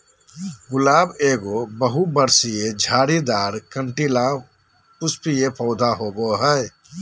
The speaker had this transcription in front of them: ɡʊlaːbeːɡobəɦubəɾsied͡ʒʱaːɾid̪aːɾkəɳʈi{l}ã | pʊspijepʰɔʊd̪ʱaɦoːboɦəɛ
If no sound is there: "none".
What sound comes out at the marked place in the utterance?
l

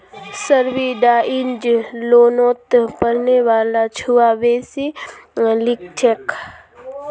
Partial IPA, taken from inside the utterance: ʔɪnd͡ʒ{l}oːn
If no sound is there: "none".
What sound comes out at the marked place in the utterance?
l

